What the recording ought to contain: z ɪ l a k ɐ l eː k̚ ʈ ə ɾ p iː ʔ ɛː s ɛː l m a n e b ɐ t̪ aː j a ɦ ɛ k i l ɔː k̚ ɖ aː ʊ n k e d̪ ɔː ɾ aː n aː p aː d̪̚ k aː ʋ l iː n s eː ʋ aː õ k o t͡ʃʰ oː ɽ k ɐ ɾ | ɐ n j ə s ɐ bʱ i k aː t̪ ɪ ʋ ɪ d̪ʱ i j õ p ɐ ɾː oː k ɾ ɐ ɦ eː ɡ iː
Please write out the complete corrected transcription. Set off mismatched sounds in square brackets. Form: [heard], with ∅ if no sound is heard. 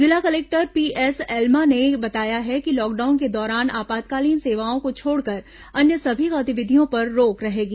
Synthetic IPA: z ɪ l a k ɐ l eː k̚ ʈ ə ɾ p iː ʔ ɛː s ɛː l m a n e b ɐ t̪ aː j a ɦ ɛ k i l ɔː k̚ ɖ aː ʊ n k e d̪ ɔː ɾ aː n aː p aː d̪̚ k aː [∅] l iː n s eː ʋ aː õ k o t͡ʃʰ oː ɽ k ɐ ɾ | ɐ n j ə s ɐ bʱ i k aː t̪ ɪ ʋ ɪ d̪ʱ i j õ p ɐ ɾː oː k ɾ ɐ ɦ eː ɡ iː